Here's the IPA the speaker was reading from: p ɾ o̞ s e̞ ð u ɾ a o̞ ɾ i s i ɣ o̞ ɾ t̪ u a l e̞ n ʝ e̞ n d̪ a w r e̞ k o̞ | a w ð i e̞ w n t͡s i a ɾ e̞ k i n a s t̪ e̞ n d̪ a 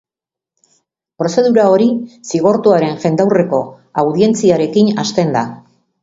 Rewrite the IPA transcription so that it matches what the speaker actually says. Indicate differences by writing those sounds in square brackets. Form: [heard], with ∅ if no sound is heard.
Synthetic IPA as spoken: p ɾ o̞ s e̞ ð u ɾ a o̞ ɾ i s i ɣ o̞ ɾ t̪ u a [ɾ] e̞ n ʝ e̞ n d̪ a w r e̞ k o̞ | a w ð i e̞ [∅] n t͡s i a ɾ e̞ k i n a s t̪ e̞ n d̪ a